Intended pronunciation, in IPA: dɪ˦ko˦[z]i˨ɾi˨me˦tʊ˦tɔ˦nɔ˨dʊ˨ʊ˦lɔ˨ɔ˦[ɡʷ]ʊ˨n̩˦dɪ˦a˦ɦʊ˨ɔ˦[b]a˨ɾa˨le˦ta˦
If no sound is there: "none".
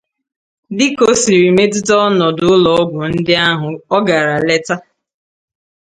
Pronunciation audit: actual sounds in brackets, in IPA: s, ɡʷ, ɡ

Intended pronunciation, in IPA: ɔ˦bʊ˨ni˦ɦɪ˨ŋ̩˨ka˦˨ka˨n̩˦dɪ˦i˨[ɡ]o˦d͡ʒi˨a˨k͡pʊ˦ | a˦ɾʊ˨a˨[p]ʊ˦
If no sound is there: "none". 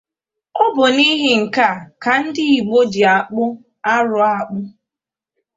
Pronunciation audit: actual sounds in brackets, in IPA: ɡ͡b, k͡p

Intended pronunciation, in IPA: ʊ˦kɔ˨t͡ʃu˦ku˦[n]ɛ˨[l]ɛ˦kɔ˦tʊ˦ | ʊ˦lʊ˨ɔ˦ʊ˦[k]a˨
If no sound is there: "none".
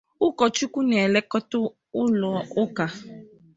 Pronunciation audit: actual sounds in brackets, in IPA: n, l, k

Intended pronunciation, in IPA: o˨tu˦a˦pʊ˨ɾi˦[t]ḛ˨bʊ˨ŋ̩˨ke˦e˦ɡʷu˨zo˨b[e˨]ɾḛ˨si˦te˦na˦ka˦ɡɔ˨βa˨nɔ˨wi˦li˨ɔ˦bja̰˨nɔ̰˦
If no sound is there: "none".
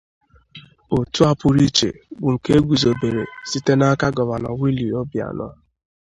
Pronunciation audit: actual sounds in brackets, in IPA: t͡ʃ, e˨

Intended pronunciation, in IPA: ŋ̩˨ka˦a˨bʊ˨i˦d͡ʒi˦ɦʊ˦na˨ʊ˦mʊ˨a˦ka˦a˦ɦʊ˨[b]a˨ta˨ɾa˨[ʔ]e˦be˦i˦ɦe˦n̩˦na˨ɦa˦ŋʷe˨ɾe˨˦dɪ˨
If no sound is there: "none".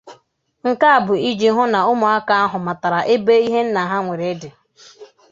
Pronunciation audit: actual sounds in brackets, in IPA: m, ʔ

